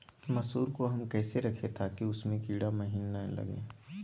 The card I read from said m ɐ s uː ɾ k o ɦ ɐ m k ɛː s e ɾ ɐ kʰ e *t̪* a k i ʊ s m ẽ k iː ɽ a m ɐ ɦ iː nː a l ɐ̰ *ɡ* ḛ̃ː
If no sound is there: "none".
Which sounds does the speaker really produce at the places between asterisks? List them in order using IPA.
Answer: t̪ʰ, ɡ

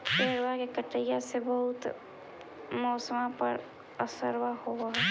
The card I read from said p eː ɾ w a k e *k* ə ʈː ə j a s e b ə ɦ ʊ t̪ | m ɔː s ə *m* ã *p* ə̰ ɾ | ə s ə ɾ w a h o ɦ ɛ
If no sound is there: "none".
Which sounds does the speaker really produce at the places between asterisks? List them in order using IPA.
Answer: k, m, p

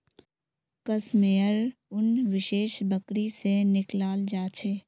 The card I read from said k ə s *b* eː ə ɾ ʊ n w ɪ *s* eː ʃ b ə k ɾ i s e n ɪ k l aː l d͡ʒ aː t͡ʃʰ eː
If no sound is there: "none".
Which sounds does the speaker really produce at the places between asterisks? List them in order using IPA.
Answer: m, ʃ

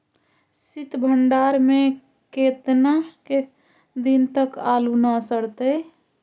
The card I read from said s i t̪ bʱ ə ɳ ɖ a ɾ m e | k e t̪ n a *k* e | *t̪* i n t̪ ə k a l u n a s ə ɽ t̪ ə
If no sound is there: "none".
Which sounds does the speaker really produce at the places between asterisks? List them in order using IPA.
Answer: k, d̪

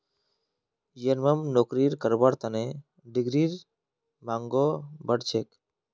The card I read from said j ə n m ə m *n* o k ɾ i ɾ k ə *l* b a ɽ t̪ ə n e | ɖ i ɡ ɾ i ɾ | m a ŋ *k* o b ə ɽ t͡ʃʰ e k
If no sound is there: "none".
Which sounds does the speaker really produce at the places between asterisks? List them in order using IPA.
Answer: n, ɾ, ɡ

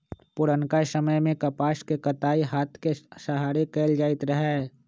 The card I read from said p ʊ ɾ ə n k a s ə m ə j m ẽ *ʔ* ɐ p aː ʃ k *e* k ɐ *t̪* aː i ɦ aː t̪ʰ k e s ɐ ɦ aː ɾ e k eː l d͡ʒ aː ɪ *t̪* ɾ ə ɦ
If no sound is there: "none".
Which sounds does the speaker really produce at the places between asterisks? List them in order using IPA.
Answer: k, e, t̪, t̪

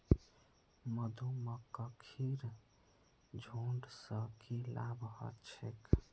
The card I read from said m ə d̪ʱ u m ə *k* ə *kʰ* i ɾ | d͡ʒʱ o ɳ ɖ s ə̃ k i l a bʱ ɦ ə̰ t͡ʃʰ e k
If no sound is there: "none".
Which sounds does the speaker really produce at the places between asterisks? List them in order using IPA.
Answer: k, kʰ

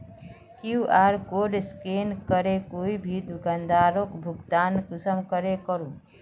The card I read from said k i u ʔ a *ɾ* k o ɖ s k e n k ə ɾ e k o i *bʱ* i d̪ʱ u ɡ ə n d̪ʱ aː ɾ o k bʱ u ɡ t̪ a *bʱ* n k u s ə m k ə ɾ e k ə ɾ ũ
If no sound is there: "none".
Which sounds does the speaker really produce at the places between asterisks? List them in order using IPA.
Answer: ɾ, bʱ, none

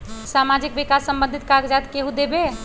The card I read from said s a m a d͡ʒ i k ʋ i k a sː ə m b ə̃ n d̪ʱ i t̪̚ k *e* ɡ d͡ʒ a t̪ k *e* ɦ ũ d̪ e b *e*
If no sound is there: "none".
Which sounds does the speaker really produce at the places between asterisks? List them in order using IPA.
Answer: a, e, e

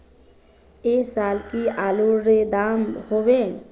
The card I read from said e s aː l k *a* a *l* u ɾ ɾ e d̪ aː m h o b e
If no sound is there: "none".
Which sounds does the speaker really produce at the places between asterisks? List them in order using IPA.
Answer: i, l

